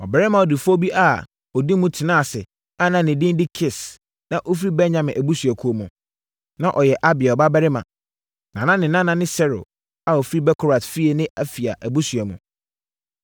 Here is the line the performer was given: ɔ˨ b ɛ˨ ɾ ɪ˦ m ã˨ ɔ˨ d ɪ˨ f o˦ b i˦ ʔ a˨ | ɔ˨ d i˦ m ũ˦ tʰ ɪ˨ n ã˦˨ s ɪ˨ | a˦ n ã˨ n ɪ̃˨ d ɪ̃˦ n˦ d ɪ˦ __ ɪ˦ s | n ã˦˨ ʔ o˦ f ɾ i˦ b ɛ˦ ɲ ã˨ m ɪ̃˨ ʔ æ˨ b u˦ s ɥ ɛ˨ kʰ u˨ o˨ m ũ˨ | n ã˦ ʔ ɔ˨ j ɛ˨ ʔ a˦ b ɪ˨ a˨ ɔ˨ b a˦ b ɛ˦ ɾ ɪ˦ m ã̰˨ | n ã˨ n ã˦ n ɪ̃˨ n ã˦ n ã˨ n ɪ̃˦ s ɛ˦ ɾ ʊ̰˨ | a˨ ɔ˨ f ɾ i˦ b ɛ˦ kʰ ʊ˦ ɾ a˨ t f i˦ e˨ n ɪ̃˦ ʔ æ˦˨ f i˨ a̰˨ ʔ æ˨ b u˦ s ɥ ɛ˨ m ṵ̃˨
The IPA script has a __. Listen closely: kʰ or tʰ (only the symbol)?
kʰ